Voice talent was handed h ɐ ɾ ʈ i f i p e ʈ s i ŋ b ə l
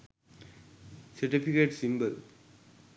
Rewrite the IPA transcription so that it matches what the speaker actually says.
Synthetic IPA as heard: s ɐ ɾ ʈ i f i k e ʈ s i m b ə l